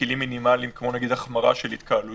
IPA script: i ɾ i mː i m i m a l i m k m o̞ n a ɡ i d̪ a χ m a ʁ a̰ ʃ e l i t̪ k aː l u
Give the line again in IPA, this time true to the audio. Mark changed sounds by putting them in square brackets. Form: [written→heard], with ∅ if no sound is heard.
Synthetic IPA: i [ɾ→l] i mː i [m→n] i m a l i m k m o̞ n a ɡ i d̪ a χ m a ʁ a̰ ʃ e l i t̪ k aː l u